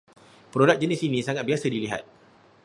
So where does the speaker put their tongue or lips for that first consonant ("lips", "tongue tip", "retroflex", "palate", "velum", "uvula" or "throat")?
lips